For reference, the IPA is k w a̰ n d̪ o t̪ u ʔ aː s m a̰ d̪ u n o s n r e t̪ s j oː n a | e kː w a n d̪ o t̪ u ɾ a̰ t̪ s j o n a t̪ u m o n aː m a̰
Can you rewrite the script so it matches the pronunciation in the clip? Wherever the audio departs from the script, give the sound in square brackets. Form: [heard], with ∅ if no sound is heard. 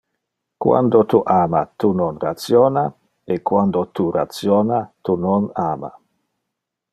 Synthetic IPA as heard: k w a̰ n d̪ o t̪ u ʔ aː [∅] m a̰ [t̪] u n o [∅] n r [a] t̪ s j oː n a | e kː w a n d̪ o t̪ u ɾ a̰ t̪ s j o n a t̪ u [n] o n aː m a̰